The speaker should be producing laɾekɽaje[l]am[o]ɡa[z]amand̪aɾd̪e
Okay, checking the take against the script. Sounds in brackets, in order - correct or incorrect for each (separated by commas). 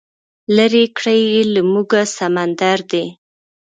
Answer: correct, incorrect, incorrect